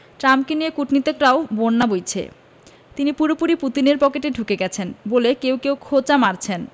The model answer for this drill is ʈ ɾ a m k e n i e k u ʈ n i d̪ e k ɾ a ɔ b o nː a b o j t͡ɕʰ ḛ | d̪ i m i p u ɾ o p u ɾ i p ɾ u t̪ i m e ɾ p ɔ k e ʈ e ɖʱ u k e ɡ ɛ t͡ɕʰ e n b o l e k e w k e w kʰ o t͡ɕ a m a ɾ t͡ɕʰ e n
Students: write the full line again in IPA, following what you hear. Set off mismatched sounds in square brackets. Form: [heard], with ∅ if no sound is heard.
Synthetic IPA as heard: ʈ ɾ a m k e n i e k u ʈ n i [t̪] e k ɾ a [o] b o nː a b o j t͡ɕʰ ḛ | [t̪] i [n] i p u ɾ o p u ɾ i p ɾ u t̪ i [n] e ɾ p ɔ k e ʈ e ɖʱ u k e ɡ ɛ t͡ɕʰ e n b o l e k e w k e w kʰ o t͡ɕ a m a ɾ t͡ɕʰ e n